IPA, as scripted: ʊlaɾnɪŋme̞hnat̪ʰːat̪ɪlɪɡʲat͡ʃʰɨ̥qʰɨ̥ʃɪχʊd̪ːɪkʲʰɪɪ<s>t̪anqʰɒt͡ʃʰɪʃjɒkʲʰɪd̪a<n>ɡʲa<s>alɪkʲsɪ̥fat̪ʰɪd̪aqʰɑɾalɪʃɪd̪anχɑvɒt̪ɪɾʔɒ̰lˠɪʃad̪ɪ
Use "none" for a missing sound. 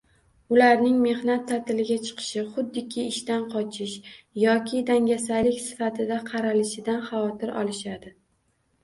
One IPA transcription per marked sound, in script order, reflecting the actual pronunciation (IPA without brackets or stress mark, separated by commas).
ʃ, ŋ, s